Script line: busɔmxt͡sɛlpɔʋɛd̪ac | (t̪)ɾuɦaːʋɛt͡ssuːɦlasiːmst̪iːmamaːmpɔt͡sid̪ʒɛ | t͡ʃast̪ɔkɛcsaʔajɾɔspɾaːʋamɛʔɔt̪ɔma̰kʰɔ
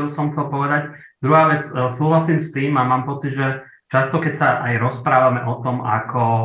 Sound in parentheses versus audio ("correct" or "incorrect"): incorrect